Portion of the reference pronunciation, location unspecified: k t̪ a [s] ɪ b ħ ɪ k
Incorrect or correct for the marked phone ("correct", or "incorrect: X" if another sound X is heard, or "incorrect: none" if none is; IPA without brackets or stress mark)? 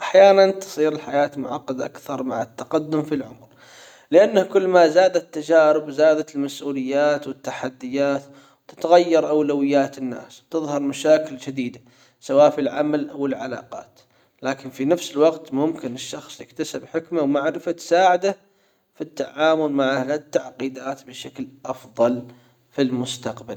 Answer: correct